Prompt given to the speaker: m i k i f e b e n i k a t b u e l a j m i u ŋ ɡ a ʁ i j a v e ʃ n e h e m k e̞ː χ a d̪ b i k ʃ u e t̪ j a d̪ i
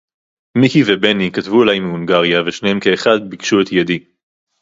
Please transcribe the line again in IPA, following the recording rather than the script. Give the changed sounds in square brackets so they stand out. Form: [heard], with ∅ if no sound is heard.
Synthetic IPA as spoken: m i k i [v] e b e n i k a t [v] u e l a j m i u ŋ ɡ a ʁ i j a v e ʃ n e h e m k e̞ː χ a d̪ b i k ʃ u e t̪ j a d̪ i

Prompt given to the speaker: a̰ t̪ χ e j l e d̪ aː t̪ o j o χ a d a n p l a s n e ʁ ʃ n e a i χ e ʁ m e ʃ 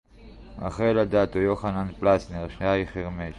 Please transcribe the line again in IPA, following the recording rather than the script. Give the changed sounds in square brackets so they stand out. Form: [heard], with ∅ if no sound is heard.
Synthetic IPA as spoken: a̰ [∅] χ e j l [a] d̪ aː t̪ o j o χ a [n] a n p l a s n e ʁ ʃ n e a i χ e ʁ m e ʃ

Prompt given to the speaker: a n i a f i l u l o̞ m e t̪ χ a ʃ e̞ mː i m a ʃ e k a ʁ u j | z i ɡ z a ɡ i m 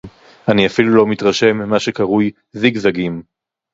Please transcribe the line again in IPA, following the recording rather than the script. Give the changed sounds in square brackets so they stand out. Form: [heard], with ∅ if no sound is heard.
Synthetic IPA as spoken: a n i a f i l u l o̞ m [i] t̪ [ʁ] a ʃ e̞ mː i m a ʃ e k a ʁ u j | z i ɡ z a ɡ i m

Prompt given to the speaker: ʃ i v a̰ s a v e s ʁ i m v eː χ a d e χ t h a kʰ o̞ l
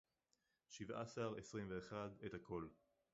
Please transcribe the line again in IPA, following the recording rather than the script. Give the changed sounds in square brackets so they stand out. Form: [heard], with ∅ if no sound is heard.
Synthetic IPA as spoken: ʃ i v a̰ s a [ʁ] e s ʁ i m v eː χ a d e [∅] t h a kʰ o̞ l

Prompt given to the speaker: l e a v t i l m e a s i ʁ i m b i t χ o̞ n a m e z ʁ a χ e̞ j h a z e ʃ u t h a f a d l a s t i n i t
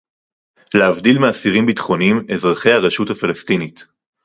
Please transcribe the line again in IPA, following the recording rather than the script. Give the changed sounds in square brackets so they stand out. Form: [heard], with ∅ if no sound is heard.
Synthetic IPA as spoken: l e a v [d] i l m e a s i ʁ i m b i t χ o̞ n [i] m e z ʁ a χ e̞ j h a [ʁ] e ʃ u t h a f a [∅] l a s t i n i t

